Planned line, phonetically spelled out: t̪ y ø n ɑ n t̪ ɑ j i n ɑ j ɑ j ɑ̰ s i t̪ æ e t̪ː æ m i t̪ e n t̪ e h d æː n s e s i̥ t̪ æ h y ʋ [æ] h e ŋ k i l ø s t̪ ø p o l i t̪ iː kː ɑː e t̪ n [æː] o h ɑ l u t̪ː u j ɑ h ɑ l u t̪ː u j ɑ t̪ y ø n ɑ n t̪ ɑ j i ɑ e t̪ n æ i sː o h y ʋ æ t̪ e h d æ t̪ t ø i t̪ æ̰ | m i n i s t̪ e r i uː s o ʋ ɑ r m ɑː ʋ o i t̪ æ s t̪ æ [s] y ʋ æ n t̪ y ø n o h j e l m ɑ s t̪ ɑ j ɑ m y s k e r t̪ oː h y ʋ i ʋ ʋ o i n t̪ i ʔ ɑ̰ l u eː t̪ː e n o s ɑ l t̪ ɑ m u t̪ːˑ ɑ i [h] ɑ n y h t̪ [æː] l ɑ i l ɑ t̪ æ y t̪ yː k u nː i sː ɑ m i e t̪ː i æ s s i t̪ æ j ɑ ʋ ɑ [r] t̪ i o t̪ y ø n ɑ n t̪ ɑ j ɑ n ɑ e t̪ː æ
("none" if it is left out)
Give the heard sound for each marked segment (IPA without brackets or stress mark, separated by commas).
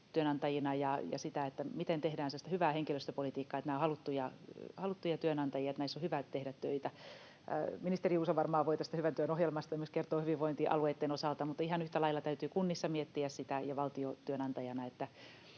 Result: æː, æː, h, h, æ, l